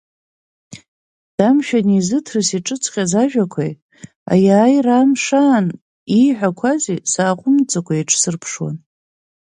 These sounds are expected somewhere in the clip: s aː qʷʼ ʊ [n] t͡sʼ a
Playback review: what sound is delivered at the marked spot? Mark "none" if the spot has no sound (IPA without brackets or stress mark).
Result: m